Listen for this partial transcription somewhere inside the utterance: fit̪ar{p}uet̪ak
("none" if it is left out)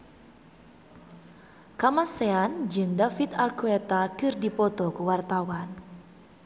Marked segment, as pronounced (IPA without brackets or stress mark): k